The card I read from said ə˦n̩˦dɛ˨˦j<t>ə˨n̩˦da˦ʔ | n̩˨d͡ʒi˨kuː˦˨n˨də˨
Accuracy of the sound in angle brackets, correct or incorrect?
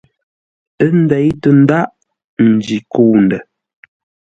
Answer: correct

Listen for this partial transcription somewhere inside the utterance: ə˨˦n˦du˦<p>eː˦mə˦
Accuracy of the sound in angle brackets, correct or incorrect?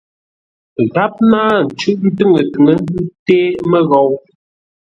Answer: incorrect: t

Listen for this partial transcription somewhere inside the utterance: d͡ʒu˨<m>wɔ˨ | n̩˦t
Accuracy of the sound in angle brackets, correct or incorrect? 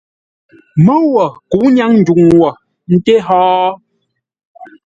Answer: incorrect: ŋ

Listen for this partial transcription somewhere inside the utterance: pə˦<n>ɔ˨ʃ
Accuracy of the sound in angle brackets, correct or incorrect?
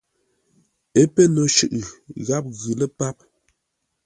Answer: correct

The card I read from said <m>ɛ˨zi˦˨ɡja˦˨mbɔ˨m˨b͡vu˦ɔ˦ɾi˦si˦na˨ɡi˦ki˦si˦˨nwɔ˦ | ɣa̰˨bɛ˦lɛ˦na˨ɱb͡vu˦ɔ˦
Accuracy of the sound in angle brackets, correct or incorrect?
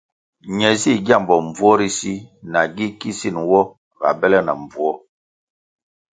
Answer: incorrect: ɲ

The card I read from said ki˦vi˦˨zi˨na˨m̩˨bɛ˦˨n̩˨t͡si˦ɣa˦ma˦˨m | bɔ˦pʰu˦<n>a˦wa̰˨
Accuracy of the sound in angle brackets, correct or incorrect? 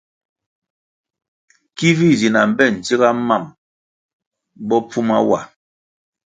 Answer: incorrect: m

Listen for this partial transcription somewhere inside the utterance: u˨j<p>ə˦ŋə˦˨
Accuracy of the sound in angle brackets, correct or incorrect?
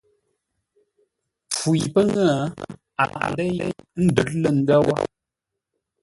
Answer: correct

